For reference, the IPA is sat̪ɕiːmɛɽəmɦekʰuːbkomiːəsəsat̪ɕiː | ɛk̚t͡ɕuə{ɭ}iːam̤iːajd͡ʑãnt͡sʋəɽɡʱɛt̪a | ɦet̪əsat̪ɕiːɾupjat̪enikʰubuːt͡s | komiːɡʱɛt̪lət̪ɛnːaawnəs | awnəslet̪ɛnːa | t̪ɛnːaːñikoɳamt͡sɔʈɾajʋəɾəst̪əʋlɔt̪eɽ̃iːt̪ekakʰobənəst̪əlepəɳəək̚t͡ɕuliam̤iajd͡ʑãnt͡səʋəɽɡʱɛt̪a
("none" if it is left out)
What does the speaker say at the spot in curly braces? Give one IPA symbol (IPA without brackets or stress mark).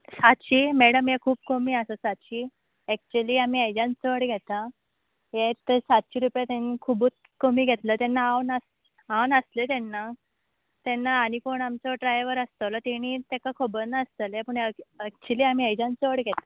l